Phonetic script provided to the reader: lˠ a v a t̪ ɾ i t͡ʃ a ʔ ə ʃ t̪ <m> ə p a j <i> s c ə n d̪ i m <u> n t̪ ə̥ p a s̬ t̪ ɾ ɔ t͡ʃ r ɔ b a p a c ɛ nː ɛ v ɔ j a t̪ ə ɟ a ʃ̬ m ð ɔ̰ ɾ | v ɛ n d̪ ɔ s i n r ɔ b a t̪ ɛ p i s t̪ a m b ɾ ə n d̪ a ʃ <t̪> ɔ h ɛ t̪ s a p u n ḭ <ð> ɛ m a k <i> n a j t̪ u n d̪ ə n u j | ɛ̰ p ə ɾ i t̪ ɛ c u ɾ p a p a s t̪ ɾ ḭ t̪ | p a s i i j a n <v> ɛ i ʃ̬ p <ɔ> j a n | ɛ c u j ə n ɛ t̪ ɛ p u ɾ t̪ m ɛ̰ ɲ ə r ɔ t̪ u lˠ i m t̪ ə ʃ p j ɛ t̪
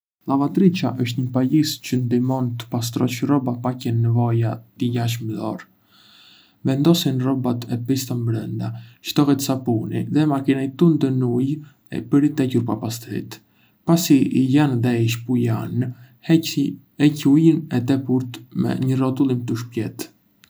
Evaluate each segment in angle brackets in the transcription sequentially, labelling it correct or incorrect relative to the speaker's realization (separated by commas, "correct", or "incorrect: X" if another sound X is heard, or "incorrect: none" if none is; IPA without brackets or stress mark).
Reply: incorrect: ɲ, correct, incorrect: ɔ, correct, correct, correct, incorrect: ð, incorrect: u